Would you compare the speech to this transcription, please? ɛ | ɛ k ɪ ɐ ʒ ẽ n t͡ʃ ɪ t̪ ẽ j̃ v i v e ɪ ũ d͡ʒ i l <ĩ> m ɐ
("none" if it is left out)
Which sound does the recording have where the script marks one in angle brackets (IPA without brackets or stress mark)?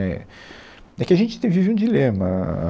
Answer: ẽ